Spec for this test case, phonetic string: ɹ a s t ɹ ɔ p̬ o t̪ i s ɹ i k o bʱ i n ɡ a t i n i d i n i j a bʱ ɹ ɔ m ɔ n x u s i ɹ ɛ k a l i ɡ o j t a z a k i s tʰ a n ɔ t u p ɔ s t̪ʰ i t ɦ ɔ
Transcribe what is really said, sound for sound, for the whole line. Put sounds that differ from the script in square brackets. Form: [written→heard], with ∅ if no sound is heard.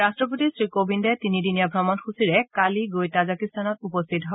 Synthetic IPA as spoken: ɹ a s t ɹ ɔ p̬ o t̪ i s ɹ i k o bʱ i n [ɡ→d] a t i n i d i n i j a bʱ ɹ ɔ m ɔ n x u s i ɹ ɛ k a l i ɡ o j t a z a k i s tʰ a n ɔ t u p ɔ s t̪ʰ i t ɦ ɔ